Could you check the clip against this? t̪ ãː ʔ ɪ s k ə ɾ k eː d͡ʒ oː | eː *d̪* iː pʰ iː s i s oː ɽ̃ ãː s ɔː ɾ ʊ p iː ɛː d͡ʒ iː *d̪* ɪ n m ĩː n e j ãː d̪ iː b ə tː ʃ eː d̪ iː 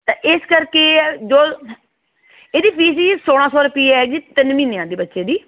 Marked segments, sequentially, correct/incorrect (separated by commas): correct, incorrect